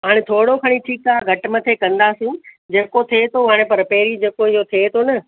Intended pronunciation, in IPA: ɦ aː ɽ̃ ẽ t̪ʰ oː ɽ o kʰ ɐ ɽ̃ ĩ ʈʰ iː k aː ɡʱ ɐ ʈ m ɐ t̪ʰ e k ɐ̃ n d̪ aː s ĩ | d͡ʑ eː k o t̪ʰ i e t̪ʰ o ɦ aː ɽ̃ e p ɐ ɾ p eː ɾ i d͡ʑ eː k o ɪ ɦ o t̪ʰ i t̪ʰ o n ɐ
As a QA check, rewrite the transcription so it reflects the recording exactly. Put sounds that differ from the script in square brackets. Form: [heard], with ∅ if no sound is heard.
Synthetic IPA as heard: ɦ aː ɽ̃ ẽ t̪ʰ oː ɽ o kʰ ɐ ɽ̃ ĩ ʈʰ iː k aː ɡʱ ɐ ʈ m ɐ t̪ʰ e k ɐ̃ n d̪ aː s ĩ | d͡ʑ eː k o t̪ʰ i e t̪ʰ o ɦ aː ɽ̃ e p ɐ ɾ p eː ɾ i d͡ʑ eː k o ɪ ɦ o t̪ʰ [e] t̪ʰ o n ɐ